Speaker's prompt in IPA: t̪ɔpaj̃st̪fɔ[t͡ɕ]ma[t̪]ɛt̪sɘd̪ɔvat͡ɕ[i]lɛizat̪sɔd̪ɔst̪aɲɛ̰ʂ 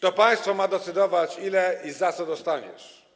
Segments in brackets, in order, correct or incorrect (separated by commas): incorrect, incorrect, correct